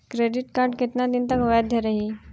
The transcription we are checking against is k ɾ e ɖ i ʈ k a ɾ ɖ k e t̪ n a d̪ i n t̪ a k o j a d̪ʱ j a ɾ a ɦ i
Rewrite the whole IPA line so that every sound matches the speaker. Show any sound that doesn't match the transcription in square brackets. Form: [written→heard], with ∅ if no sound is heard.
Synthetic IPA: k ɾ e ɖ i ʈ k a ɾ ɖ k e t̪ n a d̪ i n t̪ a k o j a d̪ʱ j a ɾ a ɦ i